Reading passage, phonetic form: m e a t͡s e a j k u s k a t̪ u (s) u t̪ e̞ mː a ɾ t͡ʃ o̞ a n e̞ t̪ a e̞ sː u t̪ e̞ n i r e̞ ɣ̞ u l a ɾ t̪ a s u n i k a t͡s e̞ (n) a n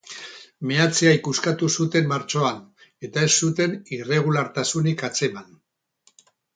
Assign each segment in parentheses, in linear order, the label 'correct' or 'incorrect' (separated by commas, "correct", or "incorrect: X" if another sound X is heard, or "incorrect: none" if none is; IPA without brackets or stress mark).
correct, incorrect: m